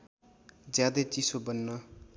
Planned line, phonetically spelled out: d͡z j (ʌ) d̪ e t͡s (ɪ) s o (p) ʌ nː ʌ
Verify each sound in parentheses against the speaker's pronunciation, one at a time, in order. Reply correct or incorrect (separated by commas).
incorrect, incorrect, incorrect